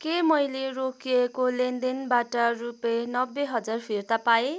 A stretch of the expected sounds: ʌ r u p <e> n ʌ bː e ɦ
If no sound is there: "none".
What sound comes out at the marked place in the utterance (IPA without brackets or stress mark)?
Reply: e